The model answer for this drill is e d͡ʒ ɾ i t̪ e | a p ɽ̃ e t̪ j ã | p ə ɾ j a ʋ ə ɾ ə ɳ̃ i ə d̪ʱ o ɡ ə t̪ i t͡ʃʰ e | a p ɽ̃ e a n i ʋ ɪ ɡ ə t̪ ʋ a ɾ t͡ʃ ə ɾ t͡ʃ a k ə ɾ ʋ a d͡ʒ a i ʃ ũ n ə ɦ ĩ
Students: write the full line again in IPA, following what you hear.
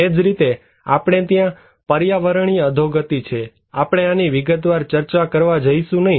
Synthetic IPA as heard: e d͡ʒ ɾ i t̪ e | a p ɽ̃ e t̪ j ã | p ə ɾ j a ʋ ə ɾ ə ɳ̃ i ə d̪ʱ o ɡ ə t̪ i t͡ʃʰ e | a p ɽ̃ e a n i ʋ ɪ ɡ ə t̪ ʋ a ɾ t͡ʃ ə ɾ t͡ʃ a k ə ɾ ʋ a d͡ʒ ə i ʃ ũ n ə ɦ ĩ